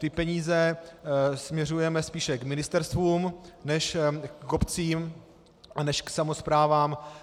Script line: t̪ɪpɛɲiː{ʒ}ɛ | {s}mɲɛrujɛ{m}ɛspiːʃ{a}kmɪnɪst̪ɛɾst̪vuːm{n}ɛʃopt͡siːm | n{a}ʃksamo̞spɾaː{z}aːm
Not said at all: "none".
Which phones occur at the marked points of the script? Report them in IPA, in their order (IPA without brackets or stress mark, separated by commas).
z, s, m, ɛ, n, ɛ, v